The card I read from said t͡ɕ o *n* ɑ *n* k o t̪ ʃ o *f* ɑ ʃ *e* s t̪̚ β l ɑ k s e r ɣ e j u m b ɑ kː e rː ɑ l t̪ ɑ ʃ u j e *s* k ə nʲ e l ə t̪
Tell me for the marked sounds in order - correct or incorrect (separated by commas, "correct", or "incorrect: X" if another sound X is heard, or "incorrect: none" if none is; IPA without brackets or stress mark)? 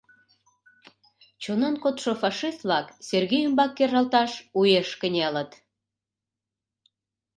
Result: correct, correct, correct, incorrect: i, incorrect: ʃ